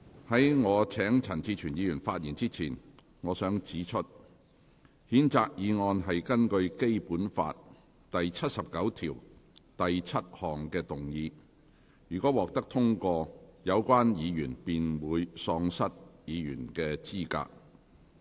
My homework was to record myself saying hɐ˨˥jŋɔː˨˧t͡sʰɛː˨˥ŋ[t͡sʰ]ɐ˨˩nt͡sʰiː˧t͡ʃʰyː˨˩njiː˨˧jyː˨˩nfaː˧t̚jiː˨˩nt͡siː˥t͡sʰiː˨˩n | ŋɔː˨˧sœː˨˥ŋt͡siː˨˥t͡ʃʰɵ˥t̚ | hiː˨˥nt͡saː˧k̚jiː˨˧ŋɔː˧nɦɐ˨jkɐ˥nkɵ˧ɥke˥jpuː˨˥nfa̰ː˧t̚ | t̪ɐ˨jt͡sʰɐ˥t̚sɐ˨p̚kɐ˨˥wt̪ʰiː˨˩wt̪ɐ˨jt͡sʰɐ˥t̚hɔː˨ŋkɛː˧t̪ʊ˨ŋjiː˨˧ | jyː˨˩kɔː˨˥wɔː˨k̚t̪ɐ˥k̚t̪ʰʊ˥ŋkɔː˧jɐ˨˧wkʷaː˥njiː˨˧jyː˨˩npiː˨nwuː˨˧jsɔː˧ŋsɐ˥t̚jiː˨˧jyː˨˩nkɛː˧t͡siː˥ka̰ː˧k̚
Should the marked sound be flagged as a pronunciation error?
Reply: no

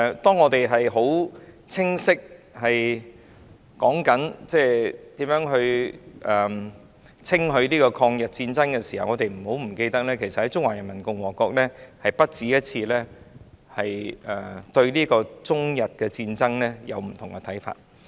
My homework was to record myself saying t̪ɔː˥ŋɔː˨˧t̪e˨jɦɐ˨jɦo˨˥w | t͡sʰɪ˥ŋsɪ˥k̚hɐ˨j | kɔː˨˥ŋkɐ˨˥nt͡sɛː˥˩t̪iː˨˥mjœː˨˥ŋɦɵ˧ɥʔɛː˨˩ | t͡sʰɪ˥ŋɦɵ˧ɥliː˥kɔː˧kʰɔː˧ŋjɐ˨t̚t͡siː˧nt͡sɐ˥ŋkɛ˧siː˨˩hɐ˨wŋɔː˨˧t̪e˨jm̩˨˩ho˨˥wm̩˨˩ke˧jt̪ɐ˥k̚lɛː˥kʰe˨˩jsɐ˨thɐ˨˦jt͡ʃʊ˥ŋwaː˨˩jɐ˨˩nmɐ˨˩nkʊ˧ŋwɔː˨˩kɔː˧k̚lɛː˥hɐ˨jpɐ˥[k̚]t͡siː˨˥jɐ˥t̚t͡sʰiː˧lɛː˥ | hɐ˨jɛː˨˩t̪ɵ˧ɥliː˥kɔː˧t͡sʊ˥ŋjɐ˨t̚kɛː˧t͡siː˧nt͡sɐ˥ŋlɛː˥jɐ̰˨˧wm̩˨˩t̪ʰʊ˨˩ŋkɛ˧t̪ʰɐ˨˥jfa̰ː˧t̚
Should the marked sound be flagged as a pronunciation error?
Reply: yes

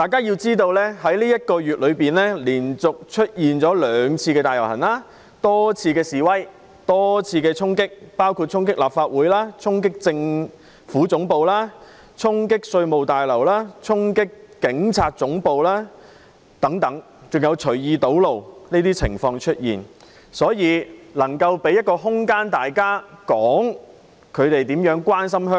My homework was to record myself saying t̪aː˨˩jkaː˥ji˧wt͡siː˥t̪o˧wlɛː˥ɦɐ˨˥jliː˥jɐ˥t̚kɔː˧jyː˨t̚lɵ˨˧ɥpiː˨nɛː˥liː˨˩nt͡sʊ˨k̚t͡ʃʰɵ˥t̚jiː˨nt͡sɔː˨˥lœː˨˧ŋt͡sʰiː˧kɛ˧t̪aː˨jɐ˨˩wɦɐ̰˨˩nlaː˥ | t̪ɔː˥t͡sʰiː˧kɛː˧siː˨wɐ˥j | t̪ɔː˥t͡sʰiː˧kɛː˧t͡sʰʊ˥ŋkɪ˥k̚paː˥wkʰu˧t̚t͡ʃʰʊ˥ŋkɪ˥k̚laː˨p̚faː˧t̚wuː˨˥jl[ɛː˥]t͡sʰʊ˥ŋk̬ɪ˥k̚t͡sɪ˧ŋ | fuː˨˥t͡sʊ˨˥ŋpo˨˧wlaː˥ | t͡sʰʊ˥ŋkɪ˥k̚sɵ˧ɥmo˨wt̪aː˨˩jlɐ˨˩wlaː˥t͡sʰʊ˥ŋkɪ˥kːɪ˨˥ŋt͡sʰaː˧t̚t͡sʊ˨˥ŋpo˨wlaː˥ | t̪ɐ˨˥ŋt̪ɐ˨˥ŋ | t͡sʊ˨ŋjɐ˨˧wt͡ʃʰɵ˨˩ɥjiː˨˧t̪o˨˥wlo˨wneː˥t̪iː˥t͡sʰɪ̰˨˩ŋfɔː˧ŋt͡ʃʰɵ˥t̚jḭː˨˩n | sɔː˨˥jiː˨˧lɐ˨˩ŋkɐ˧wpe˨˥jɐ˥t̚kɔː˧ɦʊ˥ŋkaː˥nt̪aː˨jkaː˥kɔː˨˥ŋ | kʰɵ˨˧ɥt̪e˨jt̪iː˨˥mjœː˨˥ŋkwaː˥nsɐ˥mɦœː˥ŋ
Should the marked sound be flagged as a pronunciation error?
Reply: yes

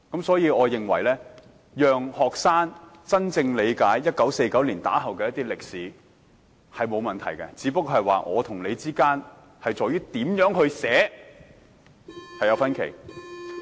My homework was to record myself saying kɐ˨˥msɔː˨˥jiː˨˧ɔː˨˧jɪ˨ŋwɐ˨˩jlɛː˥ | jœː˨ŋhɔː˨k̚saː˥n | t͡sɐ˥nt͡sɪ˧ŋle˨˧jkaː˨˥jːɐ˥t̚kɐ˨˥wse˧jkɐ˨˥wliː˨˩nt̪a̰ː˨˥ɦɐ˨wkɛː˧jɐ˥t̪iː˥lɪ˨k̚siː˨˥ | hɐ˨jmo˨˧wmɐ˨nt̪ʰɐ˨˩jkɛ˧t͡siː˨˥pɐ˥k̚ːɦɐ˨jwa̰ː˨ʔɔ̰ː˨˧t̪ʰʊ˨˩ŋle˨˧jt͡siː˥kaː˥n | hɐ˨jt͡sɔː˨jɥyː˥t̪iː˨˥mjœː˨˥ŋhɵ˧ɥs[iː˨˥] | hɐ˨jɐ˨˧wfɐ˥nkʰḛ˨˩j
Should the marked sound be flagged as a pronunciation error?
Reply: yes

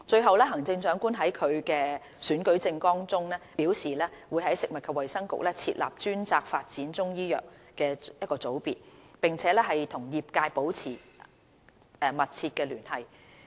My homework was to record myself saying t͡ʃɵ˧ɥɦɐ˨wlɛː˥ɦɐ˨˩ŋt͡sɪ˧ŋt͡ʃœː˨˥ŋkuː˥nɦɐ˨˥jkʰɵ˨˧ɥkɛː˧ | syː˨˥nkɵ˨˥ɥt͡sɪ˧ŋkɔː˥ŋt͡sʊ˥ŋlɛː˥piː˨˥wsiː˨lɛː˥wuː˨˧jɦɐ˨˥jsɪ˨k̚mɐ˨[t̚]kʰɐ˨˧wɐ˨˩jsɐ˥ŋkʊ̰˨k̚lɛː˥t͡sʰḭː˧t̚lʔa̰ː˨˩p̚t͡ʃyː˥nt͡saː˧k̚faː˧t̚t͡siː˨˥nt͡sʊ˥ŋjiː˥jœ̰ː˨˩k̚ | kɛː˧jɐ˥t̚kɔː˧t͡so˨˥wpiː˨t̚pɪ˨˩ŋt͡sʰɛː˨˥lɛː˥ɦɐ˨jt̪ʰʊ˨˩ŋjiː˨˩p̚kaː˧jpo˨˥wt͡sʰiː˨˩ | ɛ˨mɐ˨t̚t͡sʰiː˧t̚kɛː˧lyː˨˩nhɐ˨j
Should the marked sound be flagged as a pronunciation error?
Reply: no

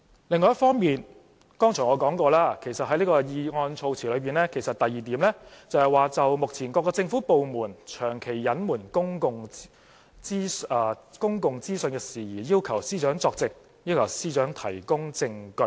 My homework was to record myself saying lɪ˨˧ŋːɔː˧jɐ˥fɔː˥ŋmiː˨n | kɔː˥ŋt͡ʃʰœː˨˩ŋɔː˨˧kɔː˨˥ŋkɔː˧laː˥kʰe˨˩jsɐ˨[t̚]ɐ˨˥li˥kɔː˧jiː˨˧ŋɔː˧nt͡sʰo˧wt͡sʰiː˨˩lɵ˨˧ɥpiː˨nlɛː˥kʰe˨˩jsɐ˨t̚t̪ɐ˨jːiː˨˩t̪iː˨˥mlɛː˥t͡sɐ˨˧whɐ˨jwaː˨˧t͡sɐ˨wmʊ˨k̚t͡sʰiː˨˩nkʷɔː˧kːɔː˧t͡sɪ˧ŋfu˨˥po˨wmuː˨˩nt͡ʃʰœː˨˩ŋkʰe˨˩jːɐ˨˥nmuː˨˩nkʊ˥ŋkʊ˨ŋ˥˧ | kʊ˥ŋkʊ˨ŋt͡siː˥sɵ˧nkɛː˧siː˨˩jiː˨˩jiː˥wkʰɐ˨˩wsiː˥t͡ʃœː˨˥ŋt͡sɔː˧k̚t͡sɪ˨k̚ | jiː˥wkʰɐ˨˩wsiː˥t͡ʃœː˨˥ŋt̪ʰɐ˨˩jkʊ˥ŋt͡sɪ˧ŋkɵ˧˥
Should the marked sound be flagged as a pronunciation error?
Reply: no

